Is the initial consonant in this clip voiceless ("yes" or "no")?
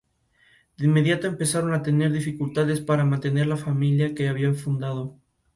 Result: no